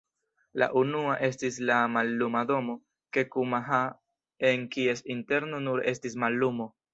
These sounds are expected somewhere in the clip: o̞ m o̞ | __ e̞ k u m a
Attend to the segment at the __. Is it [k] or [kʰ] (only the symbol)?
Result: k